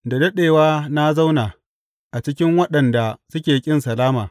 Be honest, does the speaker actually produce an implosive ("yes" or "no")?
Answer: yes